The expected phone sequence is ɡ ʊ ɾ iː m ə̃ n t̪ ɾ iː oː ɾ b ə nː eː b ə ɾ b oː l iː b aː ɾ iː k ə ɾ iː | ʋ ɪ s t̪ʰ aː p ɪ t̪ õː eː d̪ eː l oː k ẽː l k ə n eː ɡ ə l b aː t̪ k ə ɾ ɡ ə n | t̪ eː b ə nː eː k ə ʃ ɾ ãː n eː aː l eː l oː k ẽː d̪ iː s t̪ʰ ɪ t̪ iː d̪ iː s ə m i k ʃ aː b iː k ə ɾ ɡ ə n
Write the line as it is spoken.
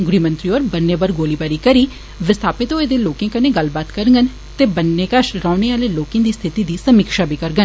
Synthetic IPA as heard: ɡ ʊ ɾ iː m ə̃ n t̪ ɾ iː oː ɾ b ə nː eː b ə ɾ ɡ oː l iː b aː ɾ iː k ə ɾ iː | ʋ ɪ s t̪ʰ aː p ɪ t̪ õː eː d̪ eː l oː k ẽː k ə n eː ɡ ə l b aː t̪ k ə ɾ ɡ ə n | t̪ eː b ə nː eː k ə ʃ ɾ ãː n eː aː l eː l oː k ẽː d̪ iː s t̪ʰ ɪ t̪ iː d̪ iː s ə m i k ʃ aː b iː k ə ɾ ɡ ə n